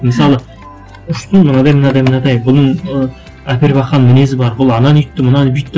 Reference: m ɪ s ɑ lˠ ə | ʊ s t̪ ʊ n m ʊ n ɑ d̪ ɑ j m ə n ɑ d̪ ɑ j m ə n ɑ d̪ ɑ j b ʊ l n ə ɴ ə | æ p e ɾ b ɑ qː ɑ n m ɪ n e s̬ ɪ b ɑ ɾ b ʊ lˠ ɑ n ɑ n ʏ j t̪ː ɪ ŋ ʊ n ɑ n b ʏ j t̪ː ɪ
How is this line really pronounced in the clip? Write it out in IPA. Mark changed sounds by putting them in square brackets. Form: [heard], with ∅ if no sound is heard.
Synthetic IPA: m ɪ s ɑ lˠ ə | ʊ [ʃ] t̪ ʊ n m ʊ n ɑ d̪ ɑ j m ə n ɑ d̪ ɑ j m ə n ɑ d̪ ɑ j b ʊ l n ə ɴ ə | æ p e ɾ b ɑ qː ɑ n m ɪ n e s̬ ɪ b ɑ ɾ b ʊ lˠ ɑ n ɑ n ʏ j t̪ː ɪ [m] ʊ n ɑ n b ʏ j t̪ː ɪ